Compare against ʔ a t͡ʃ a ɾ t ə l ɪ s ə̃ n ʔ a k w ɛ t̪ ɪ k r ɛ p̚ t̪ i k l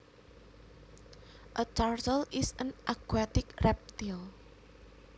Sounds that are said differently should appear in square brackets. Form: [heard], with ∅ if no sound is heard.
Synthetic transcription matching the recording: ʔ [ə] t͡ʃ a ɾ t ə l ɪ s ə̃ n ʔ a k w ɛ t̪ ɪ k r ɛ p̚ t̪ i [∅] l